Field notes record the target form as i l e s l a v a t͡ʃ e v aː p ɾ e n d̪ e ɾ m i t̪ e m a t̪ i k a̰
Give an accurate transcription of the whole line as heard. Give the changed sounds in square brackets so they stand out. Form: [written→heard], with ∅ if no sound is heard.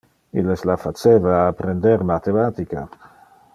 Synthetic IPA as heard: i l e s l a [v→f] a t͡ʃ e v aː p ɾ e n d̪ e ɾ m [i→a] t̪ e m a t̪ i k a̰